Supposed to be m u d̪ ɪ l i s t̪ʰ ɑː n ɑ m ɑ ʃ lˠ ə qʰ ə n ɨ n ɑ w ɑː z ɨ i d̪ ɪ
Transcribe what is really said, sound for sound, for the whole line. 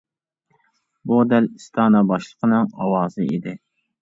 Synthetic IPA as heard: b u d̪ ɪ l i s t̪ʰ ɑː n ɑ b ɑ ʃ lˠ ə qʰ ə n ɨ ŋ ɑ w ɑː z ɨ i d̪ ɪ